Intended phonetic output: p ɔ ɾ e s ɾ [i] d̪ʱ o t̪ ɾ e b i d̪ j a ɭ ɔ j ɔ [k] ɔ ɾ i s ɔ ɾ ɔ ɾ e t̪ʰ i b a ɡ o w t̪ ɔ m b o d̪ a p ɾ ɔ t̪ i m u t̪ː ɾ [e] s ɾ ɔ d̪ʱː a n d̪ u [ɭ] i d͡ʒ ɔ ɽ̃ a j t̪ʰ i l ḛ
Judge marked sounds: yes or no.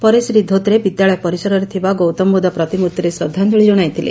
yes, no, yes, yes

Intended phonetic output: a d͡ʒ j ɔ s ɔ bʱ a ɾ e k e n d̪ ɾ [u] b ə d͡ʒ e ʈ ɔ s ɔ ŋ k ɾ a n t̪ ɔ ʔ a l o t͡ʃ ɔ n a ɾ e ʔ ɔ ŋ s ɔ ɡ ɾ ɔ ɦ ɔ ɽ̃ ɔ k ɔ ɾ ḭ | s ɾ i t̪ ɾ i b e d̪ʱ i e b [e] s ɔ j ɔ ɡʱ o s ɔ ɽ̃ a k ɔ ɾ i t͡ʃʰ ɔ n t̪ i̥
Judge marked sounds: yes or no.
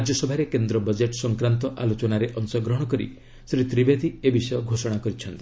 no, no

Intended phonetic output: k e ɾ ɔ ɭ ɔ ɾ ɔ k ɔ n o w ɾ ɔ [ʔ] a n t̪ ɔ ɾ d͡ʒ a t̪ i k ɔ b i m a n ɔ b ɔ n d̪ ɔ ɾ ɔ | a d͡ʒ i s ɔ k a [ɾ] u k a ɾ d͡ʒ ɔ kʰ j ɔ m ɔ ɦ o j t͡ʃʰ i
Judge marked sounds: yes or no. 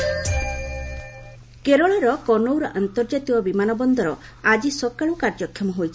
yes, no

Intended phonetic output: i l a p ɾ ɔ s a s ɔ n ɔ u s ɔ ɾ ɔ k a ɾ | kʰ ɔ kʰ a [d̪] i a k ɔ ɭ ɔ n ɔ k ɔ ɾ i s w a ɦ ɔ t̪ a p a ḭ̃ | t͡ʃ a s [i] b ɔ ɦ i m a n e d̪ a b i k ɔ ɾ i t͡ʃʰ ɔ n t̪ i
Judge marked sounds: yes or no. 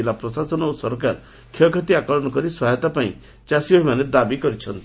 no, yes

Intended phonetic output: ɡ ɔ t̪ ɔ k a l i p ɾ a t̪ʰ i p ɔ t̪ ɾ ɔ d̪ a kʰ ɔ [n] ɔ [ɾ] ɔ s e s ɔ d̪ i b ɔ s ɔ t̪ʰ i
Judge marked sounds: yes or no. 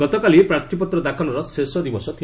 yes, yes

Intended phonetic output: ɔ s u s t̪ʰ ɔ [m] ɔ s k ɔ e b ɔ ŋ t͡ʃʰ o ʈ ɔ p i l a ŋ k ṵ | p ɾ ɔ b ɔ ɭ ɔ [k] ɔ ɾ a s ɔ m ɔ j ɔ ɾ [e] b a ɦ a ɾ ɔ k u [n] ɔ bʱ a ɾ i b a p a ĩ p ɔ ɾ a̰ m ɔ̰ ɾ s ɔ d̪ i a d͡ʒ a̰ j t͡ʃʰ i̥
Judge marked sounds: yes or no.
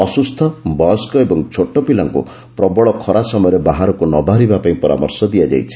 no, no, yes, yes

